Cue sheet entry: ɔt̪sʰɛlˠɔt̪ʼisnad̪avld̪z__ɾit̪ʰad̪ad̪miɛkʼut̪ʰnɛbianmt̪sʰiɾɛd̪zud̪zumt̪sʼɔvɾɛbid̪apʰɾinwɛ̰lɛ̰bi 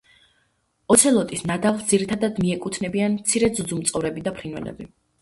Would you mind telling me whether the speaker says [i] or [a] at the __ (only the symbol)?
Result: i